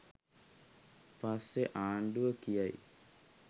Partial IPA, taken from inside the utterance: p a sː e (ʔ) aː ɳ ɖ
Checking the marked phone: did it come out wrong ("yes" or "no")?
no